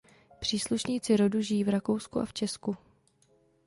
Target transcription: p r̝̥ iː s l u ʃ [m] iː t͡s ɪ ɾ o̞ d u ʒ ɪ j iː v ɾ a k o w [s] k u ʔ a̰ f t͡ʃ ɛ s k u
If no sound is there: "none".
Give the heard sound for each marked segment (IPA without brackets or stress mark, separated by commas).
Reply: ɲ, s